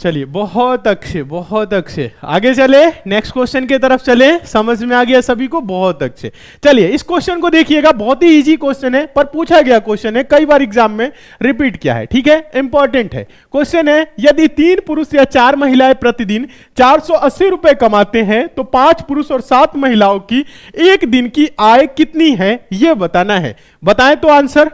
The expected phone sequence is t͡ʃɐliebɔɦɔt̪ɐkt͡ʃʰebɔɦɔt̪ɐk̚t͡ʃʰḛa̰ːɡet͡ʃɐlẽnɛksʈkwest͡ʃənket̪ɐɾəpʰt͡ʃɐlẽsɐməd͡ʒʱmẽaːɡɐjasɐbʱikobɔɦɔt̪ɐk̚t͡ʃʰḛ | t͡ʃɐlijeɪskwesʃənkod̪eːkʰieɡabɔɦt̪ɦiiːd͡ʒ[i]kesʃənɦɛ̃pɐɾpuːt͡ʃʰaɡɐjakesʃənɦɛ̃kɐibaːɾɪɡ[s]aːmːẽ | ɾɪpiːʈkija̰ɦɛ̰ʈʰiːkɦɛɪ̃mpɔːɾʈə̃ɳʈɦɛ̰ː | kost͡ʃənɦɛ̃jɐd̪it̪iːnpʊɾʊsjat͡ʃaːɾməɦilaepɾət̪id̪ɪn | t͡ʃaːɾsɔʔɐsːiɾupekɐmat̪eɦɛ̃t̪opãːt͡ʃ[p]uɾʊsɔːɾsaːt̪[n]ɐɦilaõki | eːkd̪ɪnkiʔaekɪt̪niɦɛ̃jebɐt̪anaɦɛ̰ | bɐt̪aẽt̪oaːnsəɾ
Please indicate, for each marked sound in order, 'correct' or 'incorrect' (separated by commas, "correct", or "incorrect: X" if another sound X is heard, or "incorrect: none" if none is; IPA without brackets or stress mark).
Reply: correct, incorrect: z, correct, incorrect: m